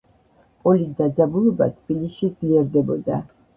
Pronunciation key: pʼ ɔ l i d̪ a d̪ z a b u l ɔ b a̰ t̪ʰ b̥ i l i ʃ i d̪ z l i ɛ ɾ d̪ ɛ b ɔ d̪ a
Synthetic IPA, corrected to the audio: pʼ ɔ l i d̪ a d̪ z a b u l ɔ b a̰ t̪ʰ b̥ i l i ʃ i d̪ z l i ɛ ɾ d̪ ɛ b ɔ d̪ a

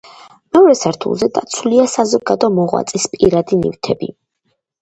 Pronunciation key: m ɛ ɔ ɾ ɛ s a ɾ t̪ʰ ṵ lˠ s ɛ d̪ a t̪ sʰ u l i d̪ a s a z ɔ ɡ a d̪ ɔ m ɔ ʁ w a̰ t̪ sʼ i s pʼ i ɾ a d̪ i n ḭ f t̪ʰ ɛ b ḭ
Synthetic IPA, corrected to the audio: m ɛ ɔ ɾ ɛ s a ɾ t̪ʰ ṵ lˠ z ɛ d̪ a t̪ sʰ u l i a s a z ɔ ɡ a d̪ ɔ m ɔ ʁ w a̰ t̪ sʼ i s pʼ i ɾ a d̪ i n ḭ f t̪ʰ ɛ b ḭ

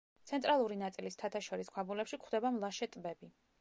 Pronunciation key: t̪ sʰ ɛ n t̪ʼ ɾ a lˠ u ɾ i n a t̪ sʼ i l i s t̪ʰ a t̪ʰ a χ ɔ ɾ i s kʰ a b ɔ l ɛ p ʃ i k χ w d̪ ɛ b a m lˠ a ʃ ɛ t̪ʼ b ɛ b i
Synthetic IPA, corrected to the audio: t̪ sʰ ɛ n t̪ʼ ɾ a lˠ u ɾ i n a t̪ sʼ i l i s t̪ʰ a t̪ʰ a ʃ ɔ ɾ i s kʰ a b u l ɛ p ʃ i k χ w d̪ ɛ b a m lˠ a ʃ ɛ t̪ʼ b ɛ b i

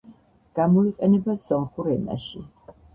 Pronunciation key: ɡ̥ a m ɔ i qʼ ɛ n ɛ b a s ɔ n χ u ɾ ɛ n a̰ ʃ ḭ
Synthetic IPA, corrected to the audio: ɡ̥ a m ɔ i qʼ ɛ n ɛ b a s ɔ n χ u ɾ ɛ n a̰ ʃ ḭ

